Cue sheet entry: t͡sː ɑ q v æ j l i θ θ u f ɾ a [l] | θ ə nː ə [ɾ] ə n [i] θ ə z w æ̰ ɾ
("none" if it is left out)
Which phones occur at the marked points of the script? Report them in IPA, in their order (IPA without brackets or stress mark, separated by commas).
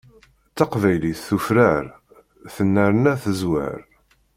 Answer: ɾ, ɾ, æ